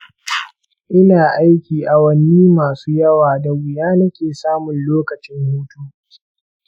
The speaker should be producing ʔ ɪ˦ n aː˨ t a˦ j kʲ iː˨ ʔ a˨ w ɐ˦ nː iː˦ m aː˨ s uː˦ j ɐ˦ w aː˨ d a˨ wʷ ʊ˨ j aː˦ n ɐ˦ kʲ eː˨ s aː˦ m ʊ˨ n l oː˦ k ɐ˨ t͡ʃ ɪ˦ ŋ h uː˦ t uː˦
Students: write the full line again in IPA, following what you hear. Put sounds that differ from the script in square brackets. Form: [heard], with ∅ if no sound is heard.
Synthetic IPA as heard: ʔ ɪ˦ n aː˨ [ʔ] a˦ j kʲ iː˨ ʔ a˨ w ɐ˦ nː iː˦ m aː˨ s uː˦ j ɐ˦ w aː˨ d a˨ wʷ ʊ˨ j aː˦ n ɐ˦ kʲ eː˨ s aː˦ m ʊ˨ n l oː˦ k ɐ˨ t͡ʃ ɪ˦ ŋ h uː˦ t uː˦